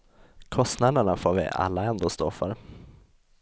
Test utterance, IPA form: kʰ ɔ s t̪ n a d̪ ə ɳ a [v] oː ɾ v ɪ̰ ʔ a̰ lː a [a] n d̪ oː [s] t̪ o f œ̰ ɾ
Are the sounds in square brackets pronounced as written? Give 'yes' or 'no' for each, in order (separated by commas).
no, no, yes